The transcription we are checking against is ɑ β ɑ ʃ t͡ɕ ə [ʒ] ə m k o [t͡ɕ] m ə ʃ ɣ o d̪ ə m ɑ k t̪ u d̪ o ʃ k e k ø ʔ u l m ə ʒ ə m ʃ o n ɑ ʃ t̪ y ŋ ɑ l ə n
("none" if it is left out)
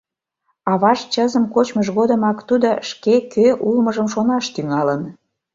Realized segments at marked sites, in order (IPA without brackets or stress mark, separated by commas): z, t͡ɕ